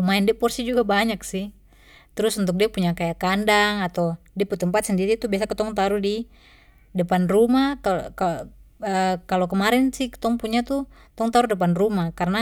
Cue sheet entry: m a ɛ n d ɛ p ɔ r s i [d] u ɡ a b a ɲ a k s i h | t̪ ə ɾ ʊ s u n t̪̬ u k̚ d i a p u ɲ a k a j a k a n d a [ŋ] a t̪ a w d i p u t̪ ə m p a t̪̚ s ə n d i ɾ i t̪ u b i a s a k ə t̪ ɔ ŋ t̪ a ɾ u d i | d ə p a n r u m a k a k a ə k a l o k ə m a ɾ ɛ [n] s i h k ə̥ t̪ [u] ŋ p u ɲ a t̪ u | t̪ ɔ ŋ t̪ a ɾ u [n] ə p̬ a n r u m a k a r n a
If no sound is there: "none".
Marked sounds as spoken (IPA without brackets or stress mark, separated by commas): d͡ʒ, ŋ, n, ɔ, d